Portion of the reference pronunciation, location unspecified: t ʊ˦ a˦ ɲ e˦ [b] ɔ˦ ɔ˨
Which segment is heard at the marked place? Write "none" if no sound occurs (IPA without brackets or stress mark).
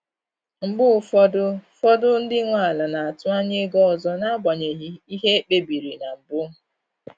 ɡ